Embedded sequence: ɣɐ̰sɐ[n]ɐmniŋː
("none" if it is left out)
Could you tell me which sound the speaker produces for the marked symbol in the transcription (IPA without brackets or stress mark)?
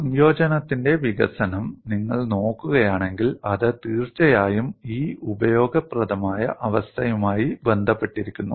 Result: n